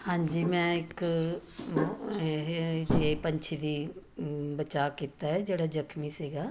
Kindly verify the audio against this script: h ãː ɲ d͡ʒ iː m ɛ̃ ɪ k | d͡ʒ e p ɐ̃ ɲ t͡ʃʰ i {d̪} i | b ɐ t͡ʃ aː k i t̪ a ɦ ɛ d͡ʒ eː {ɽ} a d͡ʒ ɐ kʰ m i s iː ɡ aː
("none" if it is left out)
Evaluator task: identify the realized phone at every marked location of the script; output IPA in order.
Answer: d̪, ɽ

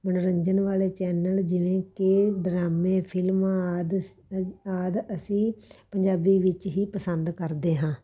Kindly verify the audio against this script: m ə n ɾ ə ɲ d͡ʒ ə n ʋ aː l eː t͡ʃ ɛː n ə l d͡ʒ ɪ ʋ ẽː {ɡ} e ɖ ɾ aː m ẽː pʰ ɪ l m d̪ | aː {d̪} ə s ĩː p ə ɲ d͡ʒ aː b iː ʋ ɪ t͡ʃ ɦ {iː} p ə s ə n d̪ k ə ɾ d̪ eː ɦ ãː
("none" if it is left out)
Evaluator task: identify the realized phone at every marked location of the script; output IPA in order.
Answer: k, d̪, iː

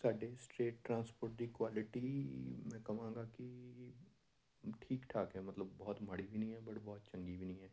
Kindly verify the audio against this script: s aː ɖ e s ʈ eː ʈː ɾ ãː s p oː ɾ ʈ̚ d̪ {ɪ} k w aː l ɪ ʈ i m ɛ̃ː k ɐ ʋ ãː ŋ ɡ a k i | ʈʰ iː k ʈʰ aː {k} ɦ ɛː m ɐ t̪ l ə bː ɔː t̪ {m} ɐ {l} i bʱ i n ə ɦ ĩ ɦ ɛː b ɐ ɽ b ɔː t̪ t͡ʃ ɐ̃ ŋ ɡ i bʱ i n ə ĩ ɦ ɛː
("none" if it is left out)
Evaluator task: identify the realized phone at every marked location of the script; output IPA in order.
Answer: i, k, m, ɽ

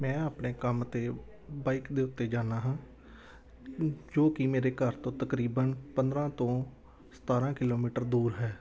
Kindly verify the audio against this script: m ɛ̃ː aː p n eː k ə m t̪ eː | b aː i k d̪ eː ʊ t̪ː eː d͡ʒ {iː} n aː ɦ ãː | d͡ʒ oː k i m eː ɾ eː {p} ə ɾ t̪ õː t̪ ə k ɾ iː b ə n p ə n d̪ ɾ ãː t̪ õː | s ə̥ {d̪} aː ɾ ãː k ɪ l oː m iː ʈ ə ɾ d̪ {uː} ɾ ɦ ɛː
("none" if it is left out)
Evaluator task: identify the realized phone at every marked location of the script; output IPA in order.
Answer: aː, k, t̪, uː

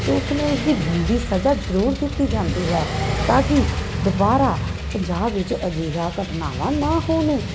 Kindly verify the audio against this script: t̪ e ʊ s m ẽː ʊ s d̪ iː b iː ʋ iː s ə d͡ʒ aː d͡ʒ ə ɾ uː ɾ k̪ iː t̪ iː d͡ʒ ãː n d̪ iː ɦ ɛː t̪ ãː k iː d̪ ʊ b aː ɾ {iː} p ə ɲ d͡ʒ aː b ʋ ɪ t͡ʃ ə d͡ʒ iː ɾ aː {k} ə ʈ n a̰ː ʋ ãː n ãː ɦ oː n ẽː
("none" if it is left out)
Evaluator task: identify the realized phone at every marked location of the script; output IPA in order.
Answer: aː, k

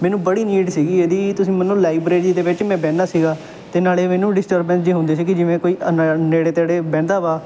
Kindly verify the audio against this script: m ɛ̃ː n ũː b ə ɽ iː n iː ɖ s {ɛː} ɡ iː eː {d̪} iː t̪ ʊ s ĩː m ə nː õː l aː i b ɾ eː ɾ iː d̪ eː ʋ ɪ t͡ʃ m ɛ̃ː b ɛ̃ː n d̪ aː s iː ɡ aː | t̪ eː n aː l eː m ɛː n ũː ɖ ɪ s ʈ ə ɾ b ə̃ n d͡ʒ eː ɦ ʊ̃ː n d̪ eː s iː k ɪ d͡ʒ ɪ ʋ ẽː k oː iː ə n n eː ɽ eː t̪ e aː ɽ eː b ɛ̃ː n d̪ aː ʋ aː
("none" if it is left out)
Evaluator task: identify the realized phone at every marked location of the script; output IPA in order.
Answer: iː, d̪

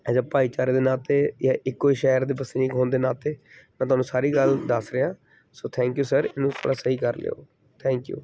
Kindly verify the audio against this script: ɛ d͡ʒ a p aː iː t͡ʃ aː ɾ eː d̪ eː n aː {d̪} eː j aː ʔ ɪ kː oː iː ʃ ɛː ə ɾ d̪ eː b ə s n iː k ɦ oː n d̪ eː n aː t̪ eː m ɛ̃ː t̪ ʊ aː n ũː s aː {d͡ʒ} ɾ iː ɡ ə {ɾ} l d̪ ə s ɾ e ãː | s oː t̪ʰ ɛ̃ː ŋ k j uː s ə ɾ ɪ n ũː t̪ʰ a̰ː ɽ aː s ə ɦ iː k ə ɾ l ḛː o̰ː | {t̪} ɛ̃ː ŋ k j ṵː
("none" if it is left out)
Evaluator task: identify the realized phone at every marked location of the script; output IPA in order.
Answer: t̪, none, none, t̪ʰ

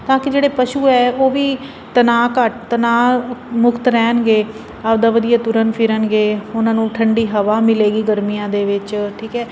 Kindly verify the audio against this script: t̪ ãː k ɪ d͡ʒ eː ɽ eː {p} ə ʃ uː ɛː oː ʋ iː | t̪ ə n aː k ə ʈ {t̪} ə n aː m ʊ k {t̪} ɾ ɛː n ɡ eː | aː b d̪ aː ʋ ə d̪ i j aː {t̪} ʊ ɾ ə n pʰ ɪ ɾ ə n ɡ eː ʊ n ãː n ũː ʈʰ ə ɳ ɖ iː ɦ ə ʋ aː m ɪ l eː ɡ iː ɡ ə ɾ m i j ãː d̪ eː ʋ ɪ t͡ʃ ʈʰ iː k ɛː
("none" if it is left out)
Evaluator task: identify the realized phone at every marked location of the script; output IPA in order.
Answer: p, t̪, t̪, t̪

